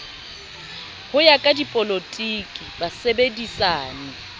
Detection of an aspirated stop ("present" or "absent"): absent